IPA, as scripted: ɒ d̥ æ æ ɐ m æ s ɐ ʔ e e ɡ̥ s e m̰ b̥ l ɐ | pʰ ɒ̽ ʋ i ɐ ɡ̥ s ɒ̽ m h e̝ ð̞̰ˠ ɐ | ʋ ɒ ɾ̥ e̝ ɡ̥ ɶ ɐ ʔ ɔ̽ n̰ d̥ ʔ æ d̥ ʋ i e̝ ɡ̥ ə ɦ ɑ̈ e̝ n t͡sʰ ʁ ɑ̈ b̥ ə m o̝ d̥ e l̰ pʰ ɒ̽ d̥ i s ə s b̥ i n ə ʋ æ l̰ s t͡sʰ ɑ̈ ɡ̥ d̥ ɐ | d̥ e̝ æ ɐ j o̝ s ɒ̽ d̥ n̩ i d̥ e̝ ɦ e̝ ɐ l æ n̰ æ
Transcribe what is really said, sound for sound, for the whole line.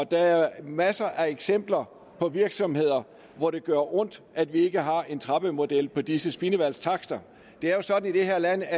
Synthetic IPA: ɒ d̥ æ æ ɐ m æ s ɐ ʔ æ e ɡ̥ s e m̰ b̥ l ɐ | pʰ ɒ̽ ʋ i ɐ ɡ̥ s ɒ̽ m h e̝ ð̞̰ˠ ɐ | ʋ ɒ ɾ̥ e̝ ɡ̥ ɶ ɐ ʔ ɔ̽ n̰ d̥ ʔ æ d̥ ʋ i e̝ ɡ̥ ə ɦ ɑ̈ e̝ n t͡sʰ ʁ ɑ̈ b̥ ə m o̝ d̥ e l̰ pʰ ɒ̽ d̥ i s ə s b̥ i n ə ʋ æ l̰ s t͡sʰ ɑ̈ ɡ̥ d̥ ɐ | d̥ e̝ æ ɐ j o̝ s ɒ̽ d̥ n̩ i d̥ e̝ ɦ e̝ ɐ l æ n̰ æ